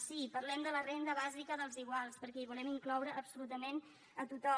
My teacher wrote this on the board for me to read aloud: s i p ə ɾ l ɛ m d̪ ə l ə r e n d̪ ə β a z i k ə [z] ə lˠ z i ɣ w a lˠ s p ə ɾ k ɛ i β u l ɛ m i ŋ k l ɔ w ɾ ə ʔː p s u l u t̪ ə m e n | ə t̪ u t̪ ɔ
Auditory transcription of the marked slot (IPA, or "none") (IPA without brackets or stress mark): ð